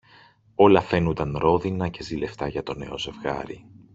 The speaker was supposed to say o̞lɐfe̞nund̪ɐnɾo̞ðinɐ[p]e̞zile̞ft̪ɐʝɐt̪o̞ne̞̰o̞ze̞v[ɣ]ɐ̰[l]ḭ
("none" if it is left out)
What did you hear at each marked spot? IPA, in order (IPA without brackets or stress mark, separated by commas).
c, ɣ, ɾ